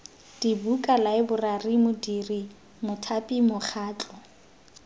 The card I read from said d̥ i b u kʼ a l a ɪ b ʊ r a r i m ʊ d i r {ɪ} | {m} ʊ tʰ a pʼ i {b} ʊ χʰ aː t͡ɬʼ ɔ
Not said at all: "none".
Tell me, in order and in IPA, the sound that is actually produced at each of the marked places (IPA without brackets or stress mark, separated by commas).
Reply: i, m, m